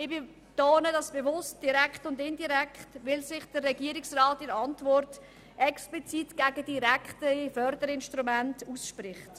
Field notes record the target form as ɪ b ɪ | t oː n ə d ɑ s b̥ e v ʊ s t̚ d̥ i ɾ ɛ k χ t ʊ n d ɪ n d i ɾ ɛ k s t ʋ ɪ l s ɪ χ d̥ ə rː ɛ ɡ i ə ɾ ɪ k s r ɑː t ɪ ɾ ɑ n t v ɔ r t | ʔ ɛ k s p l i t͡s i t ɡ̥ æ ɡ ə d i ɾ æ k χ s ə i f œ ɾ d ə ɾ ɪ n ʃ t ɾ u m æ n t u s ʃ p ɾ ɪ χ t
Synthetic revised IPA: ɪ b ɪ | t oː n ə d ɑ s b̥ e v ʊ s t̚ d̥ i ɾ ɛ k χ t ʊ n d ɪ n d i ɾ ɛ k χ t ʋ ɪ l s ɪ χ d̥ ə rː ɛ ɡ i ə ɾ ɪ k s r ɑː t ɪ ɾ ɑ n t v ɔ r t | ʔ ɛ k s p l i t͡s i t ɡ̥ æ ɡ ə d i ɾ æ k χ t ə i f œ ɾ d ə ɾ ɪ n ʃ t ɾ u m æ n t u s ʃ p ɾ ɪ χ t